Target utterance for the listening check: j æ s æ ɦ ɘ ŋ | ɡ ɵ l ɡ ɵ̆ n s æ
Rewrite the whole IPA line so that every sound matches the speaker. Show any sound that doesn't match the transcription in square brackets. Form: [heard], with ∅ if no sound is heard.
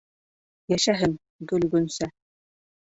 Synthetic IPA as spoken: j æ [ʃ] æ ɦ ɘ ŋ | ɡ ɵ l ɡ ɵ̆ n s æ

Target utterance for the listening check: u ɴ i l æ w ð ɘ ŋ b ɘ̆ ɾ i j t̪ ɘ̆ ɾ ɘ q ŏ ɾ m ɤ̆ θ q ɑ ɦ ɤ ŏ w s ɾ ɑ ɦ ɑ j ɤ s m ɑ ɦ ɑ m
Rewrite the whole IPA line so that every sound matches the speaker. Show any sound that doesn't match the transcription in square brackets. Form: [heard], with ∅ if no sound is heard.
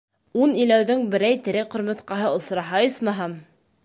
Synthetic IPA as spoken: u [n] i l æ w ð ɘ ŋ b ɘ̆ ɾ [æ] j t̪ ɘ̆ ɾ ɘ q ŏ ɾ m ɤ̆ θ q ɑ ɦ ɤ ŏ [∅] s ɾ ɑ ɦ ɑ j ɤ s m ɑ ɦ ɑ m

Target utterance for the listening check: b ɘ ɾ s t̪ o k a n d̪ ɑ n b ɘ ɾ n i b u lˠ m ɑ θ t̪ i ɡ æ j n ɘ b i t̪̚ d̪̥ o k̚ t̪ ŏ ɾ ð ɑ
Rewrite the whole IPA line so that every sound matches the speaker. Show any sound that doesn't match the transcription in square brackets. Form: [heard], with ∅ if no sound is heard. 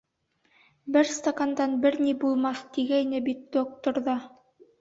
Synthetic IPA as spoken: b ɘ ɾ s t̪ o k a n d̪ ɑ n b ɘ ɾ n i b u lˠ m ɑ θ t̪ i ɡ æ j n ɘ b i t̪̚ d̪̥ o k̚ t̪ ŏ ɾ ð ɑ

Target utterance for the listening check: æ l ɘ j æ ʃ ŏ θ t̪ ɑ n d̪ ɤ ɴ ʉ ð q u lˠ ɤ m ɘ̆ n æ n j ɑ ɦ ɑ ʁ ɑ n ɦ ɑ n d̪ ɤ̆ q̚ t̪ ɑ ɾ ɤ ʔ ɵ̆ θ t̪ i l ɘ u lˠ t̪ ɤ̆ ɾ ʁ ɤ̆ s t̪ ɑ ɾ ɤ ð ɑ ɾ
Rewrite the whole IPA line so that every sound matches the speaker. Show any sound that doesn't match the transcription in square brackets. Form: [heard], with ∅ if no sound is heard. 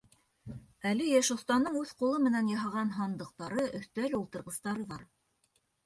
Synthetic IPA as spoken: æ l ɘ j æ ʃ ŏ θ t̪ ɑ n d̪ ɤ ɴ ʉ ð q u lˠ ɤ m ɘ̆ n æ n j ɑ ɦ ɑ ʁ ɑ n ɦ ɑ n d̪ ɤ̆ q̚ t̪ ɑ ɾ ɤ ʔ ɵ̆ θ t̪ [æ] l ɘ u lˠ t̪ ɤ̆ ɾ ʁ ɤ̆ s t̪ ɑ ɾ ɤ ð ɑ ɾ

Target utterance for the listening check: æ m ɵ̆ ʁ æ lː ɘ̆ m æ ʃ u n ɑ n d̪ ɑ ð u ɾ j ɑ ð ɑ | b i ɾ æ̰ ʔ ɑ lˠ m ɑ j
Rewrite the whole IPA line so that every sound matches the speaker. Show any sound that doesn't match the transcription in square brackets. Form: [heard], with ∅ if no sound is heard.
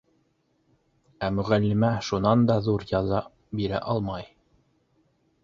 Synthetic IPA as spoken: æ m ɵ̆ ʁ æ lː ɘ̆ m æ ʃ u n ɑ n d̪ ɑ ð u ɾ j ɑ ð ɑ | b i ɾ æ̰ ʔ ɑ lˠ m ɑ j

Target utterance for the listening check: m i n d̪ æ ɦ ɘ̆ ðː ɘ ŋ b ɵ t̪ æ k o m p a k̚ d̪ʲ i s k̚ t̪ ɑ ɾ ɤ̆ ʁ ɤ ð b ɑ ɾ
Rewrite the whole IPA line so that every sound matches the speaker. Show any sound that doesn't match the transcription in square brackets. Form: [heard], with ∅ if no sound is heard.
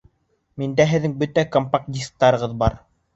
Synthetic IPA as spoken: m i n d̪ æ ɦ ɘ̆ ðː ɘ ŋ b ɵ t̪ æ k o m p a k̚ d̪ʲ i s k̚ t̪ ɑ ɾ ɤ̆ ʁ ɤ ð b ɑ ɾ

